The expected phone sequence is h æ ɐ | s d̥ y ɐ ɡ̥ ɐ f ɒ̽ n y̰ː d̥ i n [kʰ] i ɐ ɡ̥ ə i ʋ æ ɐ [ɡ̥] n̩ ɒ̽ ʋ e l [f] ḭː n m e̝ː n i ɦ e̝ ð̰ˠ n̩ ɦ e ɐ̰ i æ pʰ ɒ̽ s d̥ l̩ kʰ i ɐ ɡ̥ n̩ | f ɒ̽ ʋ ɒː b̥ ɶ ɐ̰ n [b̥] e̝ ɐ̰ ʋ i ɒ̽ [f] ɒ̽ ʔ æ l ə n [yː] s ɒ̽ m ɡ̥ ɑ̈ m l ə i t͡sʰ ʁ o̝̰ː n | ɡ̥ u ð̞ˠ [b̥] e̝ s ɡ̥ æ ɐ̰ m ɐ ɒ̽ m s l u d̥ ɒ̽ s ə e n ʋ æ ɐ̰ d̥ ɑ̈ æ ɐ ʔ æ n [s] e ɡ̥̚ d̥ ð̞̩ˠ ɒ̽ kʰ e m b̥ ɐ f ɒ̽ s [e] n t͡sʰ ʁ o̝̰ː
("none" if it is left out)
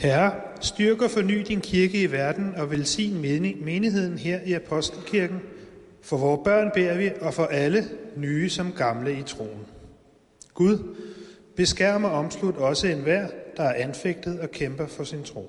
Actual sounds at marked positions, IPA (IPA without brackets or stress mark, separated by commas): kʰ, d̥, s, b̥, f, yː, b̥, f, i